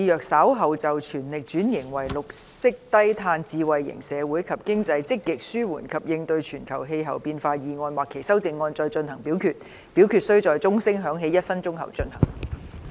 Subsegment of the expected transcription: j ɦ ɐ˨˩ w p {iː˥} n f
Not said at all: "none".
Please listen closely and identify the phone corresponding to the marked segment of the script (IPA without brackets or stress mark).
iː˧